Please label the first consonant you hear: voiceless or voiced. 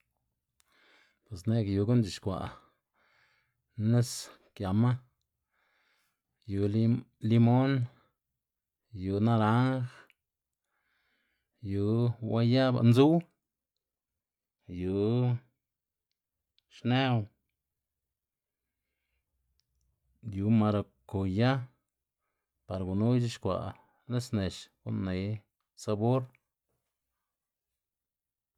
voiceless